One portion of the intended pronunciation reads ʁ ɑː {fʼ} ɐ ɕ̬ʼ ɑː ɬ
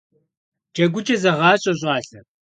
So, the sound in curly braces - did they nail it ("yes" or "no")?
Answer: no